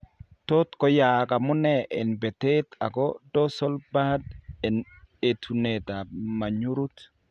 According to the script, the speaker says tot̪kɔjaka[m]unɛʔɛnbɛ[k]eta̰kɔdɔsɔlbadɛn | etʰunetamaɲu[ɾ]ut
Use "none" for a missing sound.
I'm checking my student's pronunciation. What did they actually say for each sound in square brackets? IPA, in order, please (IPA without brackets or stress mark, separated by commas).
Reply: m, t, ɾ